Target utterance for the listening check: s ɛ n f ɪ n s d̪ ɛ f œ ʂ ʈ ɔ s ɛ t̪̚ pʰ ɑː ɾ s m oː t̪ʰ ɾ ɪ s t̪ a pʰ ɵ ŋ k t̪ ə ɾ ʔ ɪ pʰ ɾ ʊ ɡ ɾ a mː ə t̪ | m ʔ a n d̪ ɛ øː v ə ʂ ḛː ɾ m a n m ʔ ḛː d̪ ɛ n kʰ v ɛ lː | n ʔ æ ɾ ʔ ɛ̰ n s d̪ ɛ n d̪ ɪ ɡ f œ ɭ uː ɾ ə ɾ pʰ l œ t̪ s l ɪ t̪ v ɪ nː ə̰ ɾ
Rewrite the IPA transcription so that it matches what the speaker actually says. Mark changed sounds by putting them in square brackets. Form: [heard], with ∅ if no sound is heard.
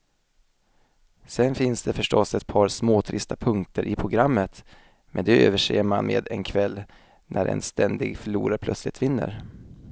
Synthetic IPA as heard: s ɛ n f ɪ n s d̪ ɛ f œ ʂ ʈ ɔ s ɛ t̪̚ pʰ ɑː ɾ s m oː t̪ʰ ɾ ɪ s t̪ a pʰ ɵ ŋ k t̪ ə ɾ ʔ ɪ pʰ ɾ ʊ ɡ ɾ a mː ə t̪ | m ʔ [ɛ] n d̪ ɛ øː v ə ʂ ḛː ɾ m a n m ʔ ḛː d̪ ɛ n kʰ v ɛ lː | n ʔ æ ɾ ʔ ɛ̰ n s [t̪] ɛ n d̪ ɪ ɡ f œ ɭ uː ɾ [a] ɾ pʰ l œ t̪ s l ɪ t̪ v ɪ nː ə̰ ɾ